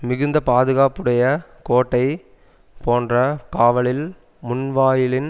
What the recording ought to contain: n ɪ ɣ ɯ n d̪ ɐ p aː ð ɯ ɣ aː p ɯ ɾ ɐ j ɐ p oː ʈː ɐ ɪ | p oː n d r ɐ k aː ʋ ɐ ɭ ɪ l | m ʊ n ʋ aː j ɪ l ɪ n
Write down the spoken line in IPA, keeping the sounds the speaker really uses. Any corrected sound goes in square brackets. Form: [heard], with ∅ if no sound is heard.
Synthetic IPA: [m] ɪ ɣ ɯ n d̪ ɐ p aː ð ɯ ɣ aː p ɯ [ɽ] ɐ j ɐ [k] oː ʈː ɐ ɪ | p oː n d r ɐ k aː ʋ ɐ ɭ ɪ l | m ʊ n ʋ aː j ɪ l ɪ n

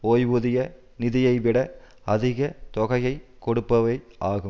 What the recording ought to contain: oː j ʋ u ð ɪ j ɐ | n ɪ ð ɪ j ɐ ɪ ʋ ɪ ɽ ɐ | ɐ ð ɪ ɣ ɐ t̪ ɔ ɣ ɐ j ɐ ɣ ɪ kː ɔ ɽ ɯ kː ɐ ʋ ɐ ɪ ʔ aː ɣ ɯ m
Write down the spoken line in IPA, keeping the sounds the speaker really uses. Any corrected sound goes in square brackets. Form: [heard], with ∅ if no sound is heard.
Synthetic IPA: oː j ʋ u ð ɪ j ɐ | n ɪ ð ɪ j ɐ ɪ ʋ ɪ ɽ ɐ | ɐ ð ɪ ɣ ɐ t̪ ɔ ɣ ɐ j ɐ [∅] ɪ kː ɔ ɽ ɯ [pː] ɐ ʋ ɐ ɪ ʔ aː ɣ ɯ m

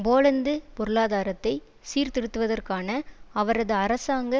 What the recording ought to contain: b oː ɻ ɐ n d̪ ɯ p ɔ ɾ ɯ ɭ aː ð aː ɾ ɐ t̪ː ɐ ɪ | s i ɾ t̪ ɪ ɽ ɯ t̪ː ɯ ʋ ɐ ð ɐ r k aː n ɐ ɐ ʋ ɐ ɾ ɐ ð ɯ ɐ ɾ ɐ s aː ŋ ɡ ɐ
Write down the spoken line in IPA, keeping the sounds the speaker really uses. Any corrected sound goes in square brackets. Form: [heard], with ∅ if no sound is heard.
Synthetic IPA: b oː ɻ ɐ n d̪ ɯ p ɔ ɾ ɯ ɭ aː ð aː ɾ ɐ t̪ː ɐ ɪ | s [iː] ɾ t̪ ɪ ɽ ɯ t̪ː ɯ ʋ ɐ ð ɐ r k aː n ɐ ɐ ʋ ɐ ɾ ɐ ð ɯ ɐ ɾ ɐ s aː ŋ ɡ ɐ

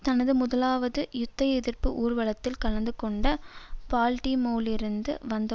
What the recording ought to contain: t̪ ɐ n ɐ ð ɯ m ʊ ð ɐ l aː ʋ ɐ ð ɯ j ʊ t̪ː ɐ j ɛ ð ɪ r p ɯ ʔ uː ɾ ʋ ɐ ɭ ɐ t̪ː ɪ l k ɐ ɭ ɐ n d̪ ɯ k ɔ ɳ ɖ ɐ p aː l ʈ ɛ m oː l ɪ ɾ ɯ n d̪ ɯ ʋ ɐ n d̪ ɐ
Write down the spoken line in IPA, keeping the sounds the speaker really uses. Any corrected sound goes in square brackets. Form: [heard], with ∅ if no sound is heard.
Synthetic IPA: t̪ ɐ n ɐ ð ɯ m ʊ ð ɐ l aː ʋ ɐ ð ɯ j ʊ t̪ː ɐ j ɛ ð ɪ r p ɯ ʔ uː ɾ ʋ ɐ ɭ ɐ t̪ː ɪ l k ɐ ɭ ɐ n d̪ ɯ k ɔ ɳ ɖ ɐ p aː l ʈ [i] m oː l ɪ ɾ ɯ n d̪ ɯ ʋ ɐ n d̪ ɐ

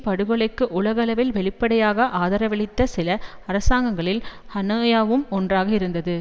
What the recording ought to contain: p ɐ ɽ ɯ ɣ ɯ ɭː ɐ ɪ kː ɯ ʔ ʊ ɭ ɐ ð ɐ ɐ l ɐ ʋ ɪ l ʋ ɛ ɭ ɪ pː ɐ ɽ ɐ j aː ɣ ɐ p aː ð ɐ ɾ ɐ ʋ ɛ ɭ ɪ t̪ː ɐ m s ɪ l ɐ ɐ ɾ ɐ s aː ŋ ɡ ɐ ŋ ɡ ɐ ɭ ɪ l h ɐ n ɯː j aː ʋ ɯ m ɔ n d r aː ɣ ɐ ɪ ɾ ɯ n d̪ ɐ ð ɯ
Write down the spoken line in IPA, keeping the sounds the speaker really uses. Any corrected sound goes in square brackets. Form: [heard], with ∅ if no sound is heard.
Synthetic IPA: p ɐ ɽ ɯ ɣ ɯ [ɭ] ɐ ɪ kː ɯ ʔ ʊ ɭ ɐ [ɣ] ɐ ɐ l ɐ ʋ ɪ l ʋ ɛ ɭ ɪ pː ɐ ɽ ɐ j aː ɣ ɐ [ʔ] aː ð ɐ ɾ ɐ ʋ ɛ ɭ ɪ t̪ː ɐ [∅] s ɪ l ɐ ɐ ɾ ɐ s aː ŋ ɡ ɐ ŋ ɡ ɐ ɭ ɪ l h ɐ n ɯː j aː ʋ ɯ m ɔ n d r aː ɣ ɐ ɪ ɾ ɯ n d̪ ɐ ð ɯ

